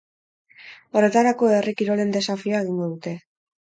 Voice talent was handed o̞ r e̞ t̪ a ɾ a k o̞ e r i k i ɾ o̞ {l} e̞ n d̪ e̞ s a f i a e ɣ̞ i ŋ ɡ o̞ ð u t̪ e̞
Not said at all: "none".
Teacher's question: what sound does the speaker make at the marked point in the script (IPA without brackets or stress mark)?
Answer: l